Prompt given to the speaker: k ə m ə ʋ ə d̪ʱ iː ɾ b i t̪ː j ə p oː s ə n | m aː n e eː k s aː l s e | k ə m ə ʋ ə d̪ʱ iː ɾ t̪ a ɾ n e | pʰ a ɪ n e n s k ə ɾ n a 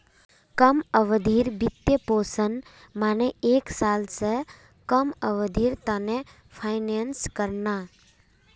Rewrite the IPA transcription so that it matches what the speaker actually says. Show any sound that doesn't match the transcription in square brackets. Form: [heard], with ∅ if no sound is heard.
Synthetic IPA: k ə m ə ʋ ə d̪ʱ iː ɾ b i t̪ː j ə p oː s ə n | m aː n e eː k s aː l s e | k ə m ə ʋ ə d̪ʱ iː ɾ t̪ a [∅] n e | pʰ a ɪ n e n s k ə ɾ n a